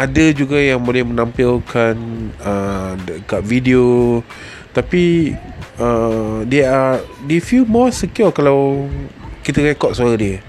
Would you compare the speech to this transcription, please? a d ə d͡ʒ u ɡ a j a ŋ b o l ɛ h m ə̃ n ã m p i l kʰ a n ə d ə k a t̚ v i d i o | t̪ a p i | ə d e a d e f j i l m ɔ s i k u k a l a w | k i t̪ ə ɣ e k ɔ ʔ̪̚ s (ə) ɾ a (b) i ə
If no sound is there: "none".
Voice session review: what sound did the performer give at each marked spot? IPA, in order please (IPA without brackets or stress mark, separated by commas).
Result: a, d